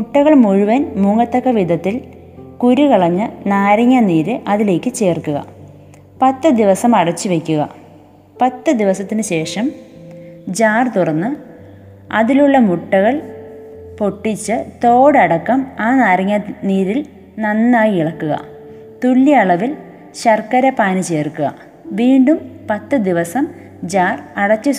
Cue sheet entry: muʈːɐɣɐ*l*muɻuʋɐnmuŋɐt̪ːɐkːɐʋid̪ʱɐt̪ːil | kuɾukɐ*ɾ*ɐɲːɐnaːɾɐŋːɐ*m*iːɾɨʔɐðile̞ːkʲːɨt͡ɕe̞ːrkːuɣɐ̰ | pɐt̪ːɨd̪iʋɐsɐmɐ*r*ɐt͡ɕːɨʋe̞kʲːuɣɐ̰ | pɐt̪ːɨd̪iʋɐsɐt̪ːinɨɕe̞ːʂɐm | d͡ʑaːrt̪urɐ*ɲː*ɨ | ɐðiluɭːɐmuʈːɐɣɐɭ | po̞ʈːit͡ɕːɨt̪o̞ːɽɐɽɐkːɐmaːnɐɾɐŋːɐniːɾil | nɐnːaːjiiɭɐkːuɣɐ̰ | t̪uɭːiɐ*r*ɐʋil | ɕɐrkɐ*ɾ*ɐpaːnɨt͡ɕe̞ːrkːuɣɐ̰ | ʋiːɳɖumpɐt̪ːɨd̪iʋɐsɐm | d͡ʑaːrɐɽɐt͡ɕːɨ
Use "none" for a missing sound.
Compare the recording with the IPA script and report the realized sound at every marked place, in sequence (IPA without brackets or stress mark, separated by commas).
ɭ, ɭ, n, ɽ, nː, ɭ, ɾ